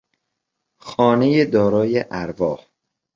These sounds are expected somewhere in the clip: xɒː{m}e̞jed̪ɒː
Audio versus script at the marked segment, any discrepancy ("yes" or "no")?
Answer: yes